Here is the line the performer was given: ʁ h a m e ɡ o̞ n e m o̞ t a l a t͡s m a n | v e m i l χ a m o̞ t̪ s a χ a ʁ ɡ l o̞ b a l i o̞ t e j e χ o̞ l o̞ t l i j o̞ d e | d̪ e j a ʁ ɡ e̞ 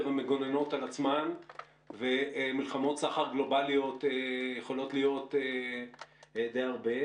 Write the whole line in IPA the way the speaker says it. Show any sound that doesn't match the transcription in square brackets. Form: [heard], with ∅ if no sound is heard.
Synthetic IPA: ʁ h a m e ɡ o̞ n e [n] o̞ t a l a t͡s m a n | v e m i l χ a m o̞ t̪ s a χ a ʁ ɡ l o̞ b a l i o̞ t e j e χ o̞ l o̞ t l i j o̞ [t] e | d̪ e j a ʁ [b] e̞